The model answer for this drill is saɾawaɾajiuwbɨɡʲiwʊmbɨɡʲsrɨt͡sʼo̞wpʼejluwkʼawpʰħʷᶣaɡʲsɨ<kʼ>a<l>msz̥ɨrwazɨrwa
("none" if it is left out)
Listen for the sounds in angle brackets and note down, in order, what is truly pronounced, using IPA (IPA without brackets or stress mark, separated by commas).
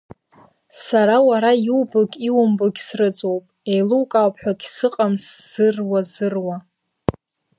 qʼ, none